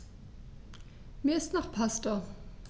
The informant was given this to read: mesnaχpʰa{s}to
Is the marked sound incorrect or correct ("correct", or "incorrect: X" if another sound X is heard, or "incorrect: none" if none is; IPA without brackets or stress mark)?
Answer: correct